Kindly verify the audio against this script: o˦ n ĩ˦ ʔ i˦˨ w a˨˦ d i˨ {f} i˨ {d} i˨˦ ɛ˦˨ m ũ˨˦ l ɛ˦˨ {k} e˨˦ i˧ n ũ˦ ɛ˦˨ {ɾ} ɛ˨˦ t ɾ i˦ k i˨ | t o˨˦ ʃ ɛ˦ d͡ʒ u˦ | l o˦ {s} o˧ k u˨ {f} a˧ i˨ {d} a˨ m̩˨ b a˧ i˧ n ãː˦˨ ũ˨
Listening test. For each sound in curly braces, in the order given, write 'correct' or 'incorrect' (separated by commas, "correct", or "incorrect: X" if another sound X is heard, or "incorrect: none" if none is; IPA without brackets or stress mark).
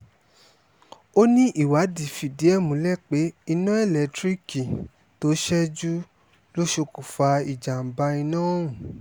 correct, correct, incorrect: k͡p, incorrect: l, incorrect: ʃ, correct, incorrect: d͡ʒ